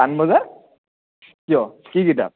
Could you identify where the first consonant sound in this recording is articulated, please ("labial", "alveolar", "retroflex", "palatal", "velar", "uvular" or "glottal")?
alveolar